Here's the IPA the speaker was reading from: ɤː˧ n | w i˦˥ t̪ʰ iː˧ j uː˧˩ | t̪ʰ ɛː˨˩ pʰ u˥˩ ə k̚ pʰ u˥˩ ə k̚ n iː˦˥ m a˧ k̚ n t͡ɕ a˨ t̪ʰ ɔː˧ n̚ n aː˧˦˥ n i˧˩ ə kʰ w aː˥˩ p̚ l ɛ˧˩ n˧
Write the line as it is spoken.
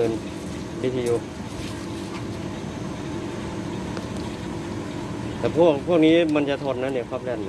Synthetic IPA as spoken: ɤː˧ n | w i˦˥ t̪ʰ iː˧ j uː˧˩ | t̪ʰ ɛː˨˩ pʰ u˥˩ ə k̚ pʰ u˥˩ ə k̚ n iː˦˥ m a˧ n t͡ɕ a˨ t̪ʰ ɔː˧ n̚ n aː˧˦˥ n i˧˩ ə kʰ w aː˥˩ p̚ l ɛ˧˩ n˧